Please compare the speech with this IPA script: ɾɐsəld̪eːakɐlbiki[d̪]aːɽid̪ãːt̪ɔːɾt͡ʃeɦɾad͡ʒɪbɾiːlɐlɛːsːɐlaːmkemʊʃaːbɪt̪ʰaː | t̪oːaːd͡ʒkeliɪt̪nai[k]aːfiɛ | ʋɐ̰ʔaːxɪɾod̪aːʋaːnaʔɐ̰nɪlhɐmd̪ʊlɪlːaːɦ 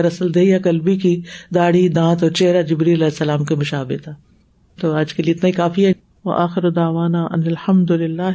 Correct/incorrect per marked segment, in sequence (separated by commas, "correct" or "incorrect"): correct, correct